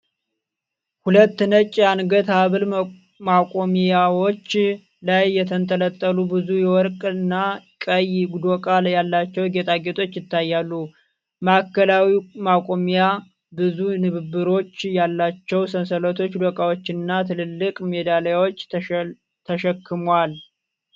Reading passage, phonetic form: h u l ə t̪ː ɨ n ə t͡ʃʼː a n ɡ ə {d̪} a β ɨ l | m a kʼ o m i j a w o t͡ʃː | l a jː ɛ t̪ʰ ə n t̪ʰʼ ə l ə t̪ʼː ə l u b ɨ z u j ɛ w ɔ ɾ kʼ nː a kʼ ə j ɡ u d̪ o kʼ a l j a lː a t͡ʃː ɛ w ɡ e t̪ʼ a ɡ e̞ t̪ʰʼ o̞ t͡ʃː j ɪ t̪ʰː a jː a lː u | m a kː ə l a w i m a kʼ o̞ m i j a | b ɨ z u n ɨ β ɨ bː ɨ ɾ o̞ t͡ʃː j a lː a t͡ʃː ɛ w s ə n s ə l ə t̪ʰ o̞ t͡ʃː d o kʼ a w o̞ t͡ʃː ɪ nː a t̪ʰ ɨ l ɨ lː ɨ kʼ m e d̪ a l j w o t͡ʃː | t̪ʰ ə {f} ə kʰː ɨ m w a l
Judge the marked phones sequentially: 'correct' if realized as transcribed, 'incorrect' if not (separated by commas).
incorrect, incorrect